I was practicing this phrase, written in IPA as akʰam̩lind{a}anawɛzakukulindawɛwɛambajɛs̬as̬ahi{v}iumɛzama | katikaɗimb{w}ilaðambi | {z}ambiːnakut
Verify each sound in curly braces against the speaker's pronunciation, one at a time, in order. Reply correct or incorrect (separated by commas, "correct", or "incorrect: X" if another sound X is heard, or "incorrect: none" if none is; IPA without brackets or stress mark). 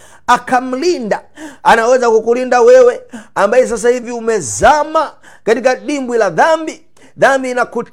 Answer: correct, correct, correct, incorrect: ð